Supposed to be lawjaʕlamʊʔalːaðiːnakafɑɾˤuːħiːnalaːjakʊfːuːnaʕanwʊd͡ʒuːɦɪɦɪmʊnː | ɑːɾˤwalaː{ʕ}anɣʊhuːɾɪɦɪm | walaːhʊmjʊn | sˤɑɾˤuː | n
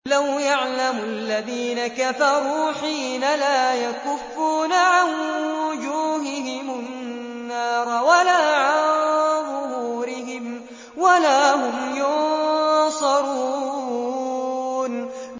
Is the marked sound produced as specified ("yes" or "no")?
yes